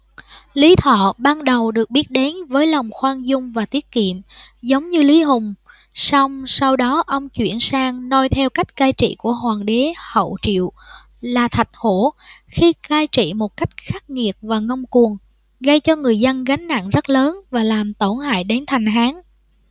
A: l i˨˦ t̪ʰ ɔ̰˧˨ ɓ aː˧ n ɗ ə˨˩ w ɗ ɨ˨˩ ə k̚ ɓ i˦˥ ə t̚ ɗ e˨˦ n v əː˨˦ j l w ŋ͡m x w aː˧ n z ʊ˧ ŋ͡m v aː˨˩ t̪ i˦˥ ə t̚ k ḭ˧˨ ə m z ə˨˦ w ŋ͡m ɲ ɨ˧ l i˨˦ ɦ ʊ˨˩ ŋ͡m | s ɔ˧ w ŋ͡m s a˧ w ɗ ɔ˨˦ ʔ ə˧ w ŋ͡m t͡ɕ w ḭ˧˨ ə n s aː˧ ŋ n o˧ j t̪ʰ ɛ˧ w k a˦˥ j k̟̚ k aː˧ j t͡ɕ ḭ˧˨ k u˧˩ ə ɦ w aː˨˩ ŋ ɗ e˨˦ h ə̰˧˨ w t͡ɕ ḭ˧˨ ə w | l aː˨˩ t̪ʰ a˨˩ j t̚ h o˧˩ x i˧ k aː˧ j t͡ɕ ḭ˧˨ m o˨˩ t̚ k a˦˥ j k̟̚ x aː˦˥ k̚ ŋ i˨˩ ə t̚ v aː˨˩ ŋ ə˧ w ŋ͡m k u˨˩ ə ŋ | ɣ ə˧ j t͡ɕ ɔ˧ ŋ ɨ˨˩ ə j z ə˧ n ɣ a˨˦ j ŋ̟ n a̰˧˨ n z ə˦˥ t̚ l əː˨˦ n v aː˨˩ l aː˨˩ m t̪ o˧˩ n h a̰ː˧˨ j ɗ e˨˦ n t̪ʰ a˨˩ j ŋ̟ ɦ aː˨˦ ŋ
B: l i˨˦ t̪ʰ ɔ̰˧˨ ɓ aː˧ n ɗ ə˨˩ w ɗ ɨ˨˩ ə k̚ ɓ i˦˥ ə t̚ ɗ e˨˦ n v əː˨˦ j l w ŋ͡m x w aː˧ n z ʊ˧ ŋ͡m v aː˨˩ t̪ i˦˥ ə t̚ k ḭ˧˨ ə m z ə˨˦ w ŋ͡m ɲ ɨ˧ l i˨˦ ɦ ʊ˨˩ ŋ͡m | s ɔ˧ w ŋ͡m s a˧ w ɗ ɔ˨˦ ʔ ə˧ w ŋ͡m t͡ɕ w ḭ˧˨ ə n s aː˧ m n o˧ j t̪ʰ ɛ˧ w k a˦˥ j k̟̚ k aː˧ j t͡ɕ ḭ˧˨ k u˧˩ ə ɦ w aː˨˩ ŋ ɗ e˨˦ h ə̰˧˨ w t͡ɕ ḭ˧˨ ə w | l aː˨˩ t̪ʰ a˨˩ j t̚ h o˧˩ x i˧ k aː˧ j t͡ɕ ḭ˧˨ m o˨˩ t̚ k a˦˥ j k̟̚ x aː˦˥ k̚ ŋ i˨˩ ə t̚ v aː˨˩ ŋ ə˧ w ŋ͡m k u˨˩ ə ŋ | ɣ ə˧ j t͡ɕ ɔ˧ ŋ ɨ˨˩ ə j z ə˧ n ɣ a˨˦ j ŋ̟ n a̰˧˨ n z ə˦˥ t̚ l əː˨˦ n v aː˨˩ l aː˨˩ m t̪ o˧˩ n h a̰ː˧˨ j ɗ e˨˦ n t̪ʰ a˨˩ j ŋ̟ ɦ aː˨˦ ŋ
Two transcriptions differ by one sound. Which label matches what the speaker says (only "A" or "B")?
A